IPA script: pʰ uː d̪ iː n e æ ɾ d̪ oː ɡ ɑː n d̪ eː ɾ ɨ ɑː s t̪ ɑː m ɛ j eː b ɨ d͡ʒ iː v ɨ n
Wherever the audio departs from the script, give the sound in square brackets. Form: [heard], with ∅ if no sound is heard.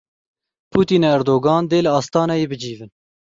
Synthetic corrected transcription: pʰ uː [t̪] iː n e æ ɾ d̪ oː ɡ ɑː n d̪ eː [l] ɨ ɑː s t̪ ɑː [n] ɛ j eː b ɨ d͡ʒ iː v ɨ n